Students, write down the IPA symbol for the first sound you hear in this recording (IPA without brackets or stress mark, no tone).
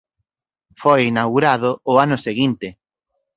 f